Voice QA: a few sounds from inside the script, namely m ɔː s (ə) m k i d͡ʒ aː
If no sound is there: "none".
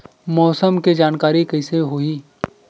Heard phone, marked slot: ə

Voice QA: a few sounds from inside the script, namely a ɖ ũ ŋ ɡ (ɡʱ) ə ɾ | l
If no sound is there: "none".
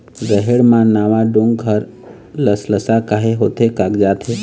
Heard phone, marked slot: ɡʱ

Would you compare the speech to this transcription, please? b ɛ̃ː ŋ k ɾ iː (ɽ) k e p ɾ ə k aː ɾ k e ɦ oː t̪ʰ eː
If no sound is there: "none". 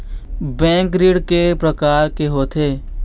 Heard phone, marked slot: ɽ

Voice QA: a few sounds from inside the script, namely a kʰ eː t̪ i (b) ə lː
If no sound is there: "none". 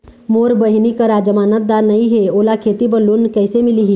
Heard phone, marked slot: b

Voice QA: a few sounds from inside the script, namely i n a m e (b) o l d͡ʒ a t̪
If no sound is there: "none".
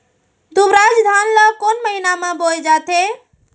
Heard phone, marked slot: b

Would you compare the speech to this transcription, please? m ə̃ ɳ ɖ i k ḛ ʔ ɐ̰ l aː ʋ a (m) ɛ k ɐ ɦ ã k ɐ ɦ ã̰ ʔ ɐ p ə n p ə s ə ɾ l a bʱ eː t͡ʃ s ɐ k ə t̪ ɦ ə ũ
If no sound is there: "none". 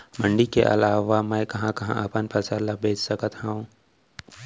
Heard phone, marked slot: m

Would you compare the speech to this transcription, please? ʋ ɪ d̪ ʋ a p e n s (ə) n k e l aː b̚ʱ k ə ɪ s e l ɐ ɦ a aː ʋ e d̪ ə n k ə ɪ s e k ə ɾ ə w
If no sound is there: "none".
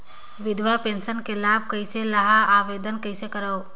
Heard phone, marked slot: ə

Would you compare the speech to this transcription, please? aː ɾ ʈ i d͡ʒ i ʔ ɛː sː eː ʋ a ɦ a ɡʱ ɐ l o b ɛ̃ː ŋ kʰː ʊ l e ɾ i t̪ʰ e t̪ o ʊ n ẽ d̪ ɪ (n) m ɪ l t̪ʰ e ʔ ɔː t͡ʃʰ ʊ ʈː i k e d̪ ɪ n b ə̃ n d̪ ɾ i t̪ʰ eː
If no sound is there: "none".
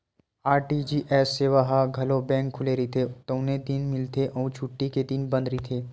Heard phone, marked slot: n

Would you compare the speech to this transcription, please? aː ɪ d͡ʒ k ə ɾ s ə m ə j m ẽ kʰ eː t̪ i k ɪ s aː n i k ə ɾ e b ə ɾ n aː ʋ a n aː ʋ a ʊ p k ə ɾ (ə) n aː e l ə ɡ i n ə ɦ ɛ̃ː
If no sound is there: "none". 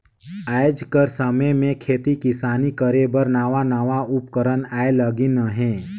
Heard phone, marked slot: ə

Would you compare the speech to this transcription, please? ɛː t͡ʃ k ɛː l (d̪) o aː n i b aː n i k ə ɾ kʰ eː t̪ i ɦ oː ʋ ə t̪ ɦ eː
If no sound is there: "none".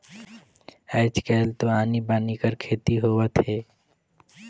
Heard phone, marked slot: t̪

